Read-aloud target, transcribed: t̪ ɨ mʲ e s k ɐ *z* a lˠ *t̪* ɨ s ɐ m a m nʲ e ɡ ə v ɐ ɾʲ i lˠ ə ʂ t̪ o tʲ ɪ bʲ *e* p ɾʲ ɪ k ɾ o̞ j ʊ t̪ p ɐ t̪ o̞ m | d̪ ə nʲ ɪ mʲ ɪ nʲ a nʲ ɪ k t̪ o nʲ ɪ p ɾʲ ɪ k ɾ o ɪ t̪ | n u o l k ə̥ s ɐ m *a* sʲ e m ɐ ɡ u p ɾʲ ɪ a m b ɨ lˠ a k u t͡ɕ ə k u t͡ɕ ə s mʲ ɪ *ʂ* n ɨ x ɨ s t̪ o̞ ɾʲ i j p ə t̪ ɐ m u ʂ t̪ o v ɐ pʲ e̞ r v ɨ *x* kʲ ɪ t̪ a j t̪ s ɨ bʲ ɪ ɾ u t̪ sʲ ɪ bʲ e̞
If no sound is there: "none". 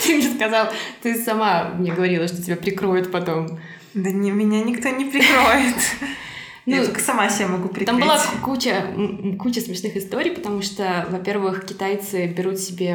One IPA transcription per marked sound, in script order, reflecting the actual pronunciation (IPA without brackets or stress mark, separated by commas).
z, t̪, a, a, ʂ, x